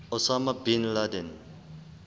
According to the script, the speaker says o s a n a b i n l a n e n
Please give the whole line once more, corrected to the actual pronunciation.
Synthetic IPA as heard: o s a m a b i n l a d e n